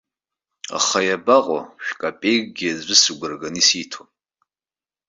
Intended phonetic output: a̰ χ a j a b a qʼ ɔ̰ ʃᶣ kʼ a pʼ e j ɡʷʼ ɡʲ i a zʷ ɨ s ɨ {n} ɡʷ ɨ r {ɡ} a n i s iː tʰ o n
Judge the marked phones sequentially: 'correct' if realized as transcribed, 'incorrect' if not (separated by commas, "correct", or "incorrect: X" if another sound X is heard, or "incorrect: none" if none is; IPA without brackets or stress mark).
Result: incorrect: none, correct